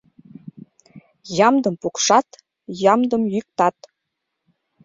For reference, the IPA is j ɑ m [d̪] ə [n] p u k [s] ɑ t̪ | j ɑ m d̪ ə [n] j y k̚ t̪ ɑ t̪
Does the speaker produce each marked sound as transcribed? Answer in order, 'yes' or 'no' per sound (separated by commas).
yes, no, no, no